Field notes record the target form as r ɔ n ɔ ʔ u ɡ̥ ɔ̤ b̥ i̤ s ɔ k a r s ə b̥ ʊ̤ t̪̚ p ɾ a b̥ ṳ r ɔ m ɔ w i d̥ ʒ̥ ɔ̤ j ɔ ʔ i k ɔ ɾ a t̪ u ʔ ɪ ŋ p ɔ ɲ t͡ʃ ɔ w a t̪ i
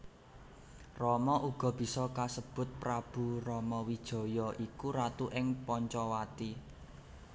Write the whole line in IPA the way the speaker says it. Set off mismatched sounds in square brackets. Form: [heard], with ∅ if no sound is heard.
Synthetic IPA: r ɔ [m] ɔ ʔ u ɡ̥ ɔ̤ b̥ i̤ s ɔ k a [∅] s ə b̥ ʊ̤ t̪̚ p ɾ a b̥ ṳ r ɔ m ɔ w i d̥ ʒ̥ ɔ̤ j ɔ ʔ i k [u] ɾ a t̪ u ʔ ɪ ŋ p ɔ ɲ t͡ʃ ɔ w a t̪ i

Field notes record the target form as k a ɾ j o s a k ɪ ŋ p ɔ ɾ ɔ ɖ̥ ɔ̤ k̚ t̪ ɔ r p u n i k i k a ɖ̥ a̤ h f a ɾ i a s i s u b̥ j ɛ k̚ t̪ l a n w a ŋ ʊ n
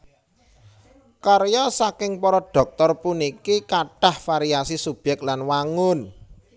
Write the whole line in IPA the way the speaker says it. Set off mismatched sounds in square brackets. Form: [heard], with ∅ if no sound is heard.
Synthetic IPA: k a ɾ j [ɔ] s a k ɪ ŋ p ɔ ɾ ɔ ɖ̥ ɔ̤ k̚ t̪ ɔ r p u n i k i k a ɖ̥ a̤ h f a ɾ i a s i s u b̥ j ɛ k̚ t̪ l a n w a ŋ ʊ n

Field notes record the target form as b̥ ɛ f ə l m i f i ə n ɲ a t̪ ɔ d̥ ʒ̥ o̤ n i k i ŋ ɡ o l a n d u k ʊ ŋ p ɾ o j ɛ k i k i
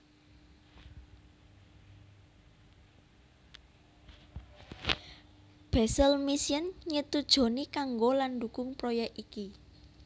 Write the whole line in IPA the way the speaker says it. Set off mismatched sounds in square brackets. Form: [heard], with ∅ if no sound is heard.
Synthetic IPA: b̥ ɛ [s] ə l m i [s] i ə n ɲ [ə] t̪ [u] d̥ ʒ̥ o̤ n i k [a] ŋ ɡ o l a n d u k ʊ ŋ p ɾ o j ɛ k i k i

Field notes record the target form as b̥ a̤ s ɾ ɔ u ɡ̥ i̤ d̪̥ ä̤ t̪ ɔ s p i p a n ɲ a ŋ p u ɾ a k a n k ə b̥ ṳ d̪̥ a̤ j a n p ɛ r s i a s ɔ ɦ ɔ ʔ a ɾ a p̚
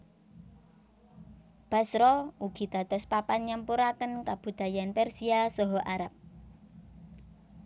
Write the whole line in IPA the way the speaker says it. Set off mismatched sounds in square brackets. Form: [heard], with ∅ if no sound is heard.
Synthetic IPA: b̥ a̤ s ɾ ɔ u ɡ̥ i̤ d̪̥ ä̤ t̪ ɔ s p [a] p a n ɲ a [m] p u ɾ a k [ə] n k [a] b̥ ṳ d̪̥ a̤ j a n p ɛ r s i a s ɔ ɦ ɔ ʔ a ɾ a p̚

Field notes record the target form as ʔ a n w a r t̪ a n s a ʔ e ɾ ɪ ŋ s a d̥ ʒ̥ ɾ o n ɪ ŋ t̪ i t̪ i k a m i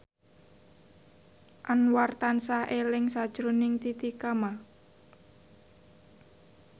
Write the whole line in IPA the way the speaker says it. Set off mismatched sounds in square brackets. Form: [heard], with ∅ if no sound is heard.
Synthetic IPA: ʔ a n w a r t̪ a n s a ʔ e [l] ɪ ŋ s a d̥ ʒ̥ ɾ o n ɪ ŋ t̪ i t̪ i k a m [a]

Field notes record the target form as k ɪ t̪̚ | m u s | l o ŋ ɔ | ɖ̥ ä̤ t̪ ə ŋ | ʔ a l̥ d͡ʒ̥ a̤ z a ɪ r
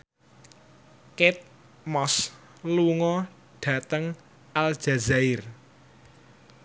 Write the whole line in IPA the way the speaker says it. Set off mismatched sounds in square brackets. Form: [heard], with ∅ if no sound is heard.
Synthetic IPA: k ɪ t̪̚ | m [ɔ] s | l [u] ŋ ɔ | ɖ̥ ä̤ t̪ ə ŋ | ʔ a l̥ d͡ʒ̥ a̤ z a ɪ r

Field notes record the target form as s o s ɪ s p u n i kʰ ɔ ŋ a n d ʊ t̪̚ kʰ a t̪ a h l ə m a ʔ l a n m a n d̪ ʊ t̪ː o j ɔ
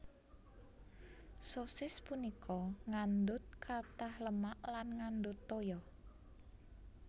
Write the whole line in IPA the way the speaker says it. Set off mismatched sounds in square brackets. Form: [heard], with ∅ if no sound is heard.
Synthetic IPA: s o s ɪ s p u n i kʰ ɔ ŋ a n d ʊ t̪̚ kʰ a t̪ a h l ə m a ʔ l a n [ŋ] a n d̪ ʊ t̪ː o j ɔ

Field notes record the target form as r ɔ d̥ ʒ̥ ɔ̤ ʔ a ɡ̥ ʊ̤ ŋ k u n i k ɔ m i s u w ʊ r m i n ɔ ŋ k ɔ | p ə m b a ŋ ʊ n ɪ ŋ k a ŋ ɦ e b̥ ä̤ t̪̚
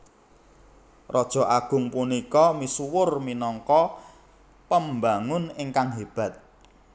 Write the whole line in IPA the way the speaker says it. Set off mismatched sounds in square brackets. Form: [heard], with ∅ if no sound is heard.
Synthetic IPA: r ɔ d̥ ʒ̥ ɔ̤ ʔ a ɡ̥ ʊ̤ ŋ [p] u n i k ɔ m i s u w ʊ r m i n ɔ ŋ k ɔ | p ə m b a ŋ ʊ n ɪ ŋ k a ŋ ɦ e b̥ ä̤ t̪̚

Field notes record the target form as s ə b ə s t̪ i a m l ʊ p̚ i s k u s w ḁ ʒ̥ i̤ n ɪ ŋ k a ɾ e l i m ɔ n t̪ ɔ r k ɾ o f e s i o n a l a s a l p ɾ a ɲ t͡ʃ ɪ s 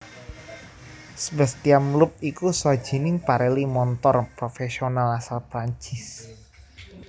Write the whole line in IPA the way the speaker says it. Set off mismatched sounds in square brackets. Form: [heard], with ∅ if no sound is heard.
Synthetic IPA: s ə b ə s t̪ i a m l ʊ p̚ i [∅] k u s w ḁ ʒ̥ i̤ n ɪ ŋ [p] a ɾ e l i m ɔ n t̪ ɔ r [p] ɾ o f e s i o n a l a s a l p ɾ a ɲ t͡ʃ ɪ s

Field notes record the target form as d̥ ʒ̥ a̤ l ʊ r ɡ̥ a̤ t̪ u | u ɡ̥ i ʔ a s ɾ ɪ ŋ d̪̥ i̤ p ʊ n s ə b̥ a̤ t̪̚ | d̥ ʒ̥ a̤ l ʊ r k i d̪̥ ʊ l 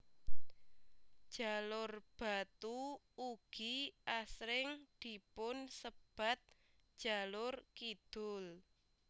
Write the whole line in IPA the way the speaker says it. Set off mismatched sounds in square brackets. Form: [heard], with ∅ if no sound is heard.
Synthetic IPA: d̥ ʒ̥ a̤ l ʊ r [b̥] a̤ t̪ u | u ɡ̥ i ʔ a s ɾ ɪ ŋ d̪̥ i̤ p ʊ n s ə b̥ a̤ t̪̚ | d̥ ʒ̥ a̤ l ʊ r k i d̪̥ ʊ l

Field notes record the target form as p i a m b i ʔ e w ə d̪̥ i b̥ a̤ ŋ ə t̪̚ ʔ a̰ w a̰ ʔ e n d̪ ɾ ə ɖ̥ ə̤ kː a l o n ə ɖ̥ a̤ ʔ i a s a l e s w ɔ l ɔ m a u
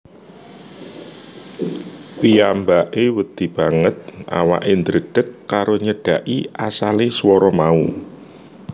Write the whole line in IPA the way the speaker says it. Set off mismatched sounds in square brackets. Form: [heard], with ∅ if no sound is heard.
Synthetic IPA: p i a m b [a] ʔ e w ə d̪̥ i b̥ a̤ ŋ ə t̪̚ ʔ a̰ w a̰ ʔ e n d̪ ɾ ə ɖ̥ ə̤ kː a [ɾ] o [ɲ] ə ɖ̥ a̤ ʔ i a s a l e s w ɔ [ɾ] ɔ m a u

